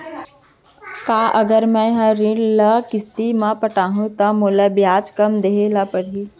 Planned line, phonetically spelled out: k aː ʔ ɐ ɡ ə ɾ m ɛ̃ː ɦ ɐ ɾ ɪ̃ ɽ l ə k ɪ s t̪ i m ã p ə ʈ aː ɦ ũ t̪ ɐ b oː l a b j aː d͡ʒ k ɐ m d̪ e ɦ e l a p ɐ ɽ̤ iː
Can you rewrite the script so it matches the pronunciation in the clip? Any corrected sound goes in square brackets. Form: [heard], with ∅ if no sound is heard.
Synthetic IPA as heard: k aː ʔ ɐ ɡ ə ɾ m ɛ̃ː ɦ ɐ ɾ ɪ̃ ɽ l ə k ɪ s t̪ i m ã p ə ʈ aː ɦ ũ t̪ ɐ [m] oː l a b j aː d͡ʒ k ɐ m d̪ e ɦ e l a p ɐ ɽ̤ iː

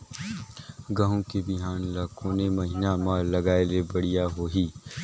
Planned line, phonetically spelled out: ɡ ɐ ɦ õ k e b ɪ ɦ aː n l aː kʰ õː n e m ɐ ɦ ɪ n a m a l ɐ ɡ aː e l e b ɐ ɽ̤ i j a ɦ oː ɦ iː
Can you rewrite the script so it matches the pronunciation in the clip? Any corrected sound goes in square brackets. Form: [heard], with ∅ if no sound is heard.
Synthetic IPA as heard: ɡ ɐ ɦ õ k e b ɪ ɦ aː n l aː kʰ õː n e m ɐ ɦ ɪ n a m a l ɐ ɡ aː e l e b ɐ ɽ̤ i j a ɦ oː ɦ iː

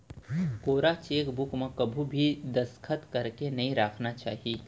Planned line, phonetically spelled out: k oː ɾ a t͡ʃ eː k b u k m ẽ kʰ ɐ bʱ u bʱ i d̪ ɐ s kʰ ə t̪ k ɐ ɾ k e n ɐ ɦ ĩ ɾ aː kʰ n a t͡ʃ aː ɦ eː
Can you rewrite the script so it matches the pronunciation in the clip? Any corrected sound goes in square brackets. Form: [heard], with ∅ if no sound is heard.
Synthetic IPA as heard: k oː ɾ a t͡ʃ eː k b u k m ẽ [k] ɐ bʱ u bʱ i d̪ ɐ s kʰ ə t̪ k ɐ ɾ k e n ɐ ɦ ĩ ɾ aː kʰ n a t͡ʃ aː ɦ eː

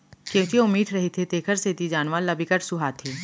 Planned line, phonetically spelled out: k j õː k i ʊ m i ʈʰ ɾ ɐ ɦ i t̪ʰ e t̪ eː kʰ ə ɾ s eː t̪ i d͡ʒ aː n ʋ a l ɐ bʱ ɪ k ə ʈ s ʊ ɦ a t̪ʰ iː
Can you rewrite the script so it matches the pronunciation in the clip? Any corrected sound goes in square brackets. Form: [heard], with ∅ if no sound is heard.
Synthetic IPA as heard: k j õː k i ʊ m [iː] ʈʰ ɾ ɐ ɦ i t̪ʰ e t̪ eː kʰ ə ɾ s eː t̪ i d͡ʒ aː n ʋ a l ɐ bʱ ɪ k ə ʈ s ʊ ɦ a t̪ʰ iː

